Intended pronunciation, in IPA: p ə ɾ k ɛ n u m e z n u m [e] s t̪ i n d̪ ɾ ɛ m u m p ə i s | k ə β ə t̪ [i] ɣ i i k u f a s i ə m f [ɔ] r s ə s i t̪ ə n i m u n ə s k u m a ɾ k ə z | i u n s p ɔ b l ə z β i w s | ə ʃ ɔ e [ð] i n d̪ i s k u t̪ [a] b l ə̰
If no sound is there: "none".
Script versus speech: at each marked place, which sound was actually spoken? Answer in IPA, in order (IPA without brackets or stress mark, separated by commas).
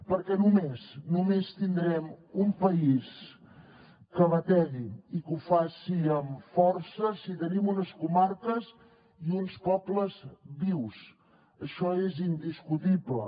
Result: e, ɛ, ɔ, z, i